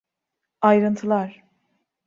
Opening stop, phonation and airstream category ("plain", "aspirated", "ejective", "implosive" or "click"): aspirated